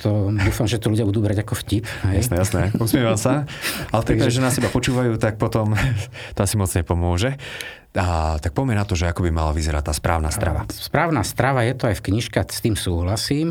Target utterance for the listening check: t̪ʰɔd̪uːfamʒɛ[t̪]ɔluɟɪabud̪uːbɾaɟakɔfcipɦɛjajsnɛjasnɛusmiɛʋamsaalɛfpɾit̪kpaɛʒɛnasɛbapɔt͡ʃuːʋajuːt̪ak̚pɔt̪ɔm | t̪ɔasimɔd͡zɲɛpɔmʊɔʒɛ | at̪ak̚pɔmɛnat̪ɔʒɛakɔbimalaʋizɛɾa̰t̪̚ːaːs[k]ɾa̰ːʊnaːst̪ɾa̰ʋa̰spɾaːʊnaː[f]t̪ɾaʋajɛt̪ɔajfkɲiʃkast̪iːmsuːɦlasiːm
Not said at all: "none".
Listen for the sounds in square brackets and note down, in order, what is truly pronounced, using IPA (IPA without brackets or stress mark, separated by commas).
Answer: t̪, p, s